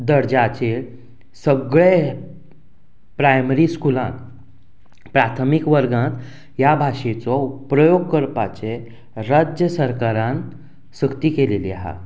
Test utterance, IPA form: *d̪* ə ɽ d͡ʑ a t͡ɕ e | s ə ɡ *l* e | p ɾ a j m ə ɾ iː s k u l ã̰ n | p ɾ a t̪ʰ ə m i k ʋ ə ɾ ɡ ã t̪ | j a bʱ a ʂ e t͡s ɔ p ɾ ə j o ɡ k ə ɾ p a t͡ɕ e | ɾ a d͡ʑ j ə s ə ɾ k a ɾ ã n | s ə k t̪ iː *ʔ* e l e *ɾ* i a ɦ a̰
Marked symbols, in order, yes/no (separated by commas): yes, no, no, no